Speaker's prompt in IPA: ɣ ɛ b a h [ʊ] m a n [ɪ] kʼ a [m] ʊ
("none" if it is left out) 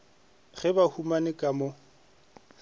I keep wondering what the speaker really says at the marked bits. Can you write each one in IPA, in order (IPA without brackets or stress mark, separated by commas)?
u, ɪ, m